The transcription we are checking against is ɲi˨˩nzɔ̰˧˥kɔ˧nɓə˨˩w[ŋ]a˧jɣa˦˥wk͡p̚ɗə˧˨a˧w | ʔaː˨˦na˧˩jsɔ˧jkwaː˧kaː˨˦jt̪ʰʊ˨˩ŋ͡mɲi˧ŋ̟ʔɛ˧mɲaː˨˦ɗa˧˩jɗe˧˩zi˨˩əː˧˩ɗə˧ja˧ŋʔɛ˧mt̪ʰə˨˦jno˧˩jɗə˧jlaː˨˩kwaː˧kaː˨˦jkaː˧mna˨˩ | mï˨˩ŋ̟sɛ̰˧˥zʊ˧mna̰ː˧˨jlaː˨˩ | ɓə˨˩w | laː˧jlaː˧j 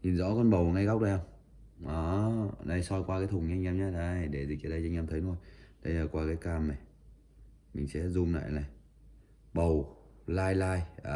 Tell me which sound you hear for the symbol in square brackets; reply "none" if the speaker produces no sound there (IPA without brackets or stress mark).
ŋ